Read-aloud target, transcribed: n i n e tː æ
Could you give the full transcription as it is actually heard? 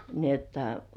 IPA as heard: n i e tː æ